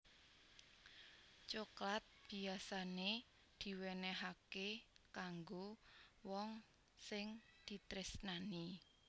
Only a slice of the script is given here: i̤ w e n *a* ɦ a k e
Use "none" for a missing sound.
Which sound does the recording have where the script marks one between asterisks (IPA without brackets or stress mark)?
ɛ